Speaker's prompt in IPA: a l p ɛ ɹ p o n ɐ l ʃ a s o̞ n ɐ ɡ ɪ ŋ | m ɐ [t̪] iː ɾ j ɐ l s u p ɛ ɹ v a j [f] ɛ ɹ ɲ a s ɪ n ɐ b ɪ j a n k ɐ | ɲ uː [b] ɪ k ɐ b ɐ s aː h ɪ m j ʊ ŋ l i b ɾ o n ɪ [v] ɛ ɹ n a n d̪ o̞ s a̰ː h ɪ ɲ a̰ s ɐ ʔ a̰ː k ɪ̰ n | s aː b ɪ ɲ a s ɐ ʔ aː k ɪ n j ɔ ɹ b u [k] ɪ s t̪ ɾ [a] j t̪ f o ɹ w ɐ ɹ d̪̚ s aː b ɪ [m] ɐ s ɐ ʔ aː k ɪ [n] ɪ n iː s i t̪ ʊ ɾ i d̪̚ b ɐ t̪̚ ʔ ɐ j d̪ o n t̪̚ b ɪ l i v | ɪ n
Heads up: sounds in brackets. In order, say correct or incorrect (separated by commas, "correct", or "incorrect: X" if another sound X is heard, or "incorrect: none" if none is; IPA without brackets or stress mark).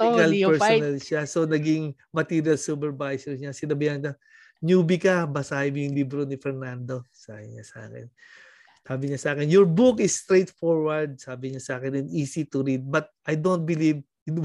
correct, incorrect: s, correct, incorrect: f, correct, incorrect: e, incorrect: ɲ, correct